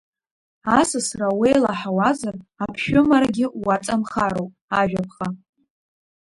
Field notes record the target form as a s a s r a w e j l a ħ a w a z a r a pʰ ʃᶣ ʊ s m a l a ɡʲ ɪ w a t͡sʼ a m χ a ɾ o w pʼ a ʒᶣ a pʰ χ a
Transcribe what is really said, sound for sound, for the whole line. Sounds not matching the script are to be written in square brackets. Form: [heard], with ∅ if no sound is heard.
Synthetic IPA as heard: a s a s r a w e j l a ħ a w a z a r a pʰ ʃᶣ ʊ [∅] m a [ɾ] a ɡʲ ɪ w a t͡sʼ a m χ a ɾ o w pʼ a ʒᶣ a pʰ χ a